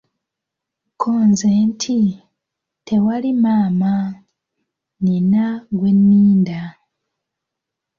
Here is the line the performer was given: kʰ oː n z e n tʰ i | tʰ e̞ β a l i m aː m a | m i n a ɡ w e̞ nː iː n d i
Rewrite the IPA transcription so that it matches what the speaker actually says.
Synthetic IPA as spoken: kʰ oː n z e n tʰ i | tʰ e̞ w a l i m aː m a | n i n a ɡ w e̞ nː iː n d a